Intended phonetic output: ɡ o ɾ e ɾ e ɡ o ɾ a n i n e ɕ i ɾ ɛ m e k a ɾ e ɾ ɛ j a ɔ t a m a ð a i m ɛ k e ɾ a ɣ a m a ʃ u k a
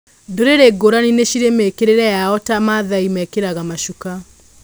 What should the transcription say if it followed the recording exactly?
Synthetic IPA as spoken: d o ɾ e ɾ e ɡ o ɾ a n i n e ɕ i ɾ e m e k e ɾ e ɾ ɛ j a ɔ t a m a ð a i m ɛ k e ɾ a ɣ a m a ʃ u k a